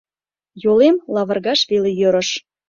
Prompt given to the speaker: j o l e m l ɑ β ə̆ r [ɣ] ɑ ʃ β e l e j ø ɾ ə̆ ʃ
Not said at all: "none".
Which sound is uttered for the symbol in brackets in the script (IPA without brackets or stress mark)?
ɣ